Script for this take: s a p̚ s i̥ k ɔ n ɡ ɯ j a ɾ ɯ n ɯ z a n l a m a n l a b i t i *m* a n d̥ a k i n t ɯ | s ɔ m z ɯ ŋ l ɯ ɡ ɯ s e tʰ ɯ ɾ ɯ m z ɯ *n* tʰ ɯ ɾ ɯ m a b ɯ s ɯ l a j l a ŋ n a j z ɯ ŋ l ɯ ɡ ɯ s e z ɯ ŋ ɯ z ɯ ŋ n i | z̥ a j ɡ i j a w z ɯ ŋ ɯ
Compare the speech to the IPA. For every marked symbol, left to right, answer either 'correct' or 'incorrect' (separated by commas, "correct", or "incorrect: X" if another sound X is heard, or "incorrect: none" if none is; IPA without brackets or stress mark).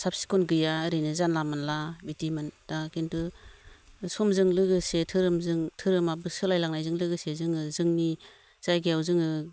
correct, incorrect: ŋ